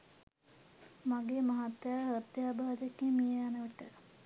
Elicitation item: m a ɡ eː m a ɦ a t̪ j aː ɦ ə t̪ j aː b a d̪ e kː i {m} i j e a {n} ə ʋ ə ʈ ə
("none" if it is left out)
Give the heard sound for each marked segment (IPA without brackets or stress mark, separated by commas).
m, n